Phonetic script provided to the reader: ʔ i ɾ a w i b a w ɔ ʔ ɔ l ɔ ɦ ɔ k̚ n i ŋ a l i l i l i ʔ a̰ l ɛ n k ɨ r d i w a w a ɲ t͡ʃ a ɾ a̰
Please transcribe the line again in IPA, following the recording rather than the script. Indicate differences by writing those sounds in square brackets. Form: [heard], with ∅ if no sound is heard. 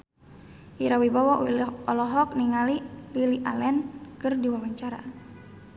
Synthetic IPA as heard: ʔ i ɾ a w i b a w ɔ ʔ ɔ l ɔ ɦ ɔ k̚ n i ŋ a l i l i l i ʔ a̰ l ɛ n k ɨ r d i w a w a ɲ t͡ʃ a ɾ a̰